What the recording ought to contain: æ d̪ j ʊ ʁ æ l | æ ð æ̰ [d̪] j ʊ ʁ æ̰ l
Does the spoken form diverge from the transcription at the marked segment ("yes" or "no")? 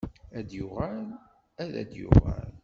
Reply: no